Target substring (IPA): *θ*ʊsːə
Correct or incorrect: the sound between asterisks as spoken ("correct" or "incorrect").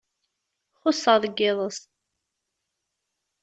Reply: incorrect